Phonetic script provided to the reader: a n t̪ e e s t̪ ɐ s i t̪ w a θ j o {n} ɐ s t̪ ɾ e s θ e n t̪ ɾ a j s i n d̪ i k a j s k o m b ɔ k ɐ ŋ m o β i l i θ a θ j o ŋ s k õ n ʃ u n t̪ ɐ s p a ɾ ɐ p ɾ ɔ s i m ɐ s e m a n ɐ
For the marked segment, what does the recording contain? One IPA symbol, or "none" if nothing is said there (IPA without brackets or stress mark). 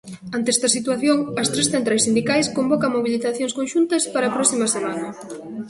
ŋ